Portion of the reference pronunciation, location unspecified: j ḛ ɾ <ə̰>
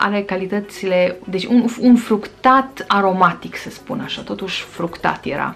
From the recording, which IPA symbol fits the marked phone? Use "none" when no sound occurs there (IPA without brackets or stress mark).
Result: a̰